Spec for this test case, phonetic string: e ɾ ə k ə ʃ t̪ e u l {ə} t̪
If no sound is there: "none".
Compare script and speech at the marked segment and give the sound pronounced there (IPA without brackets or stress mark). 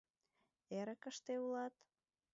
ɑ